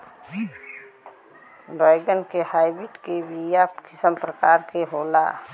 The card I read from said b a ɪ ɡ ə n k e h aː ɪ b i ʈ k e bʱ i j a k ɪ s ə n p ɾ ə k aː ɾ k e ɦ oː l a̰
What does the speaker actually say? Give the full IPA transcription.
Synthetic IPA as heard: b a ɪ ɡ ə n k e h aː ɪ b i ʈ k e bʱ i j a k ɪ s ə m p ɾ ə k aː ɾ k e ɦ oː l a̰